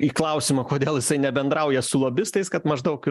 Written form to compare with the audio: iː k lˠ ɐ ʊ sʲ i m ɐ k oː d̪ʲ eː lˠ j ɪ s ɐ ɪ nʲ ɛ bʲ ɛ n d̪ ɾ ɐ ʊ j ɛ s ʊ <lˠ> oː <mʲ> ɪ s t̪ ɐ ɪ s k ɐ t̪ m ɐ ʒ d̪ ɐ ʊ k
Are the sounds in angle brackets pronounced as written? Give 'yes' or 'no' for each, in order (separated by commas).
yes, no